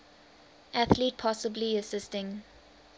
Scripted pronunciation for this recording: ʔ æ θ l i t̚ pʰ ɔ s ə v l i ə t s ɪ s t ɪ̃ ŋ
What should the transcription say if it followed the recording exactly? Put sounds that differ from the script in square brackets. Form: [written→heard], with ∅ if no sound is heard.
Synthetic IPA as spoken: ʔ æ θ l i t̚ pʰ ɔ s ə [v→b] l i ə [t→∅] s ɪ s t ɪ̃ ŋ